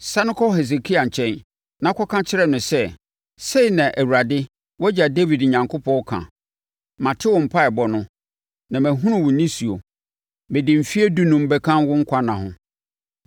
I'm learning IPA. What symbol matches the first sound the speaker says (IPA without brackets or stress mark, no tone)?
s